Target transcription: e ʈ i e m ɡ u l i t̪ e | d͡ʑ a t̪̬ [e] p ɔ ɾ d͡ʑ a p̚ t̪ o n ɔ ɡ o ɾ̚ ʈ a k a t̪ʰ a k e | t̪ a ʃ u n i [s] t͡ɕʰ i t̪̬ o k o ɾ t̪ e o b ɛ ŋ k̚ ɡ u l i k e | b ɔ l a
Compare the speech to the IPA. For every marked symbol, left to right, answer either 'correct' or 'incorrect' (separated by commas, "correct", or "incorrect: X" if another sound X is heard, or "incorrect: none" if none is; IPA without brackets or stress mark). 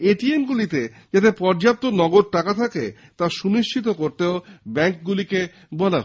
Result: correct, incorrect: ʃ